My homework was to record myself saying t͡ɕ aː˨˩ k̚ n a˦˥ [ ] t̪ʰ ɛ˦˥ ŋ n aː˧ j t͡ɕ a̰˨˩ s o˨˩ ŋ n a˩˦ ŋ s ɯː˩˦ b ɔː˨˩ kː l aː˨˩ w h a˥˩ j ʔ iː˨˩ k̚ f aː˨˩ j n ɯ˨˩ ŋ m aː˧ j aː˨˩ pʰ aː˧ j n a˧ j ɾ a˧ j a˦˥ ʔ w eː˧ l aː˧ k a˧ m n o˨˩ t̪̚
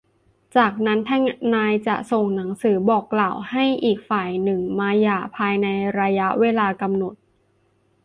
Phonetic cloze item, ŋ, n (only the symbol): n